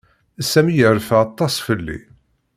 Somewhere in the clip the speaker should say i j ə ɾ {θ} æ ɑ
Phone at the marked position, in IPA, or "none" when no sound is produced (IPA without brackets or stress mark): f